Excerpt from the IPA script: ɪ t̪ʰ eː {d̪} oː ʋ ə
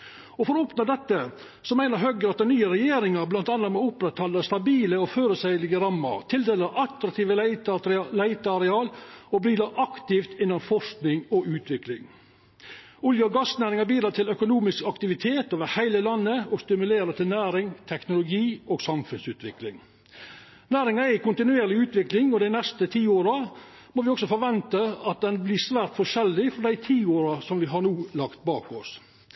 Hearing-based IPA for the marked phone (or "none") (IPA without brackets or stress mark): t̪